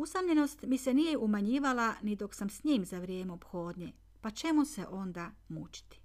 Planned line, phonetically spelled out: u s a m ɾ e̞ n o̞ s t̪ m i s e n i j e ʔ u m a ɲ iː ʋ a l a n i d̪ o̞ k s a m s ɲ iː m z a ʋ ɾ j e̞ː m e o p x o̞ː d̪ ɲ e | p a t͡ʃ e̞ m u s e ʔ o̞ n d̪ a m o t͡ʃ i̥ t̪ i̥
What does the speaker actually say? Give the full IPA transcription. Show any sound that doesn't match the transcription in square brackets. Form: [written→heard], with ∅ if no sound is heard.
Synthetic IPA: u s a m [ɾ→ʎ] e̞ n o̞ s t̪ m i s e n i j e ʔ u m a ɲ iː ʋ a l a n i d̪ o̞ k s a m s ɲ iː m z a ʋ ɾ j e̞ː m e o p x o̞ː d̪ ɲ e | p a t͡ʃ e̞ m u s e ʔ o̞ n d̪ a m [o→u] t͡ʃ i̥ t̪ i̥